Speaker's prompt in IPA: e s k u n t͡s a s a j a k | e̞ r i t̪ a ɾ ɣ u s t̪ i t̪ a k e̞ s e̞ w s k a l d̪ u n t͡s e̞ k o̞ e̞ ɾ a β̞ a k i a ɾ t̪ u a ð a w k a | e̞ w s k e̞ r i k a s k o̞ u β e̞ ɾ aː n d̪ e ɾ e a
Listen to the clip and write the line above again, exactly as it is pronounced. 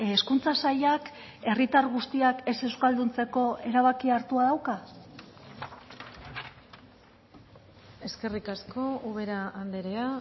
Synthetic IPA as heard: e s k u n t͡s a s a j a k | e̞ r i t̪ a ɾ ɣ u s t̪ i a k e̞ s e̞ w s k a l d̪ u n t͡s e̞ k o̞ e̞ ɾ a β̞ a k i a ɾ t̪ u a ð a w k a | e̞ s k e̞ r i k a s k o̞ u β e̞ ɾ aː n d̪ e ɾ e a